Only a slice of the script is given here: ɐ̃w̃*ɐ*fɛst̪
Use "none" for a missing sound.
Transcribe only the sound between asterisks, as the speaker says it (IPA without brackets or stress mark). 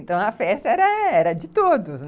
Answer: ɐ